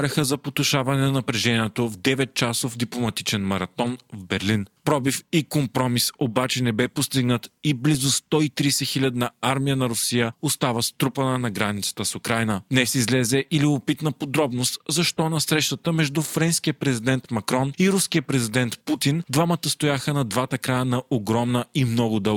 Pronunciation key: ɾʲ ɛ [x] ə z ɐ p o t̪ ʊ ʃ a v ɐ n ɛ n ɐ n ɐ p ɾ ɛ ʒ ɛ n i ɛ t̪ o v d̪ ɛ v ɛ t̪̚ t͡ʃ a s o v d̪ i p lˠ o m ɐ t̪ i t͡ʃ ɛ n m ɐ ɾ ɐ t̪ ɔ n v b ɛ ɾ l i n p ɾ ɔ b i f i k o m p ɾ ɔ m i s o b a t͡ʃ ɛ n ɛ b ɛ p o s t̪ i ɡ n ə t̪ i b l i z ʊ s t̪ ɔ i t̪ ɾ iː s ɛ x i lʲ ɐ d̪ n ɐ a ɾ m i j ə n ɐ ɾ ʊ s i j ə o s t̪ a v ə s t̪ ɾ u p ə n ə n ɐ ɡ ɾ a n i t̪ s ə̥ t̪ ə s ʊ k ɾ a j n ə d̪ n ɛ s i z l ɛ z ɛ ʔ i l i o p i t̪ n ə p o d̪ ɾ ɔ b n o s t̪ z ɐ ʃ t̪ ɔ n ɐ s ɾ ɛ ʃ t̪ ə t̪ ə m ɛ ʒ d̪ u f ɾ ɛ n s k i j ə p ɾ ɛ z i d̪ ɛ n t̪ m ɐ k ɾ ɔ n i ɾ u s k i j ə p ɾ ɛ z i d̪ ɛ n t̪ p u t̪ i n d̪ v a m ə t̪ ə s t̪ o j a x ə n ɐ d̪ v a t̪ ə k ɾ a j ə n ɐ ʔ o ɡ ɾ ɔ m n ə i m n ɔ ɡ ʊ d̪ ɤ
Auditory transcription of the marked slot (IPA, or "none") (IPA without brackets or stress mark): x